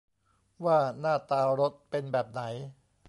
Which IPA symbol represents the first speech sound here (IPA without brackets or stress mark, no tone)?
w